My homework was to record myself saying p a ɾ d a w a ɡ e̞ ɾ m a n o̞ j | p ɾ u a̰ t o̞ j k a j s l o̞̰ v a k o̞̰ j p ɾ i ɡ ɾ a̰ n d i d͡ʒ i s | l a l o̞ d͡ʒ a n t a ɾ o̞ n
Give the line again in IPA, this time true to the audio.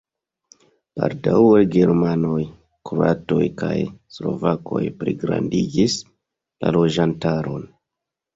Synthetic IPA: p a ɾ d a w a ɡ e̞ ɾ m a n o̞ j | k ɾ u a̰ t o̞ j k a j s l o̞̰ v a k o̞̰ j p ɾ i ɡ ɾ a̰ n d i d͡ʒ i s | l a l o̞ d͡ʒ a n t a ɾ o̞ n